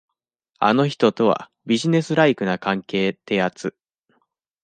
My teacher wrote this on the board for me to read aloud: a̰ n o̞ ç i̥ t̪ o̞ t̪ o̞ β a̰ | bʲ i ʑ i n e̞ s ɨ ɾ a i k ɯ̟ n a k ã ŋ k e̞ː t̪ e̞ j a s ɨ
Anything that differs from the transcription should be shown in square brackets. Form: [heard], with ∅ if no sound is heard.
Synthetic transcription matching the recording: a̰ n o̞ ç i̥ t̪ o̞ t̪ o̞ β a̰ | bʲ i ʑ i n e̞ s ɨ ɾ a i k ɯ̟ n a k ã ŋ k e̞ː t̪ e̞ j a [t͡s] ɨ